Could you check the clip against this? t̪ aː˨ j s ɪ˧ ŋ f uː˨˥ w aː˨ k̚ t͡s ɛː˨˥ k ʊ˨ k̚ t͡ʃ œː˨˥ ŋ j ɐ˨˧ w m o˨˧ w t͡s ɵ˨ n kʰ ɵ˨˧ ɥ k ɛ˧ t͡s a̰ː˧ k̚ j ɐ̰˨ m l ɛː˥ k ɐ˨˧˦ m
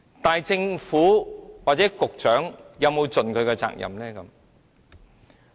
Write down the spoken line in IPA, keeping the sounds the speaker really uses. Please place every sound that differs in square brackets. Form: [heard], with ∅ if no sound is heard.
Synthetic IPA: t̪ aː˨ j [t͡s] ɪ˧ ŋ f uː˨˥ w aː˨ [t̚] t͡s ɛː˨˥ k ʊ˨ k̚ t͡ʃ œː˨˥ ŋ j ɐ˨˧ w m o˨˧ w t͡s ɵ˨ n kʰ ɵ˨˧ ɥ k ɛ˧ t͡s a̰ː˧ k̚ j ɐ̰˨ m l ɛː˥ k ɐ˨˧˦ m